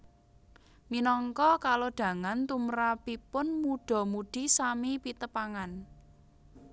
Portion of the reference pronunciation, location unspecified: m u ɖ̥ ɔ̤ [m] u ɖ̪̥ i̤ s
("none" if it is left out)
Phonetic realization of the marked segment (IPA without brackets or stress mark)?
m